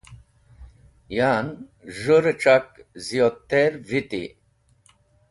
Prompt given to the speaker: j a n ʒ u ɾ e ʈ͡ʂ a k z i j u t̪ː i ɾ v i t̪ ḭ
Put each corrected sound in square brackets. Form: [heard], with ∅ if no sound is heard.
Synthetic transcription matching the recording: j a n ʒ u ɾ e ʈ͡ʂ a k z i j [o] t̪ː [e] ɾ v i t̪ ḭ